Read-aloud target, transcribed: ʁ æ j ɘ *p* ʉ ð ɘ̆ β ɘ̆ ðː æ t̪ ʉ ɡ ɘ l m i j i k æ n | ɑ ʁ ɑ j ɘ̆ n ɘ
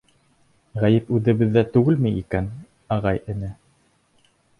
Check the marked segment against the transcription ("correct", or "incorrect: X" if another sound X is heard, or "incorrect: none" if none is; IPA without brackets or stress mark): correct